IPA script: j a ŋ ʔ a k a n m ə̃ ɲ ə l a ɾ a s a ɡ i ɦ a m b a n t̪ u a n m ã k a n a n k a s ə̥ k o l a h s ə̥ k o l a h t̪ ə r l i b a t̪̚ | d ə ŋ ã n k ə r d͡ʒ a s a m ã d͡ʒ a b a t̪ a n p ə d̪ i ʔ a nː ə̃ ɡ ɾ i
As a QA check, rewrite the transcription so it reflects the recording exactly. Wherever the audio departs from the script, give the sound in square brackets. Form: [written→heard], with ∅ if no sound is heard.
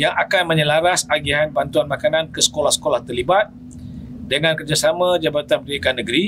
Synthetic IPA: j a ŋ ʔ a k a n m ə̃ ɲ ə l a ɾ a s a ɡ i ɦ a [m→n] b a n t̪ u a n m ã k a n a n k [a→ə] s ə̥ k o l a h s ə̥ k o l a h t̪ ə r l i b a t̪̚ | d ə ŋ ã n k ə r d͡ʒ a s a m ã d͡ʒ a b a t̪ a n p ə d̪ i [ʔ→k] a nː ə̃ ɡ ɾ i